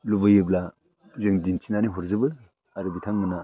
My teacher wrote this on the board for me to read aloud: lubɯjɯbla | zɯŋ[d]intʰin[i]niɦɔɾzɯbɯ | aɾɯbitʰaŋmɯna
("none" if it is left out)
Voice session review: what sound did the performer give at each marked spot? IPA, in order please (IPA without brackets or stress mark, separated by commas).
d, a